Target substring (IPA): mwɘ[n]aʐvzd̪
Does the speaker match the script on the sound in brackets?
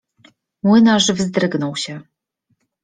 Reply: yes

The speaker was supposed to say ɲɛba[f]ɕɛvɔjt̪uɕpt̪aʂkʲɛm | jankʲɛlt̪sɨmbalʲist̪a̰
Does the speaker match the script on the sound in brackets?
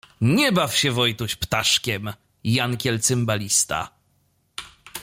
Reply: yes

